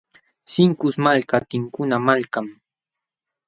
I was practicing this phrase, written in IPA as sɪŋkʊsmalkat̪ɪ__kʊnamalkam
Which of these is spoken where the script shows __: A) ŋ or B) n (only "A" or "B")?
A